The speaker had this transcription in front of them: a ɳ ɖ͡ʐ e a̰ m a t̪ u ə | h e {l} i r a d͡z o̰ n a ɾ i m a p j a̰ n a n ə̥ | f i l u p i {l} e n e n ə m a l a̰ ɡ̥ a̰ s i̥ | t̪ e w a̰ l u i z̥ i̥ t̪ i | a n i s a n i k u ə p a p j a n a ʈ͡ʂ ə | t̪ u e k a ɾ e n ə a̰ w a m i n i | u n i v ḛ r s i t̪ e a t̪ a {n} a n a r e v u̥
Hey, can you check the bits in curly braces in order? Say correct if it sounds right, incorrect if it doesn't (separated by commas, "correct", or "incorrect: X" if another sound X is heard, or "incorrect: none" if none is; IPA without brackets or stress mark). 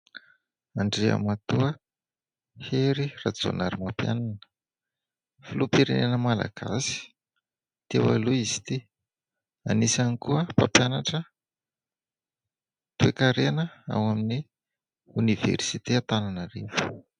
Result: incorrect: ɾ, incorrect: ɾ, correct